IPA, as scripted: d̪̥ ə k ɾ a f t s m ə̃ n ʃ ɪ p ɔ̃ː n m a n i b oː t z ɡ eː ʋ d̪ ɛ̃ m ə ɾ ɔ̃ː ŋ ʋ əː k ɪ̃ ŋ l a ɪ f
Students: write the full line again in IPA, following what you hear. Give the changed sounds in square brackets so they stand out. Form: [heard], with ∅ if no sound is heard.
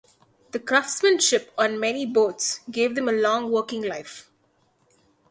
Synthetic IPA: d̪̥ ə k ɾ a f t s m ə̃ n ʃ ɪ p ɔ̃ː n m [ɛ] n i b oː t [s] ɡ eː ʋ d̪ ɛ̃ m ə [l] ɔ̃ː ŋ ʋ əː k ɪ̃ ŋ l a ɪ f